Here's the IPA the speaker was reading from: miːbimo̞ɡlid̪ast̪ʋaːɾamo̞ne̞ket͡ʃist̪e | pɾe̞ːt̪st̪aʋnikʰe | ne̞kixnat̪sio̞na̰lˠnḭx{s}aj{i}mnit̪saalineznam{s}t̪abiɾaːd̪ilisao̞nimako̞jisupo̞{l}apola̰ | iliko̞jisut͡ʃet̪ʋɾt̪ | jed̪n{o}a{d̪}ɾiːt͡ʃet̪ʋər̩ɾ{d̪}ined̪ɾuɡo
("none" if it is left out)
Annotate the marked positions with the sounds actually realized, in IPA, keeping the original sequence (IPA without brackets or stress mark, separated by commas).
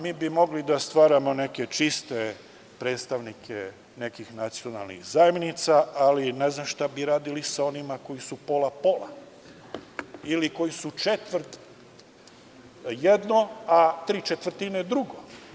z, e, ʃ, l, o, t̪, t̪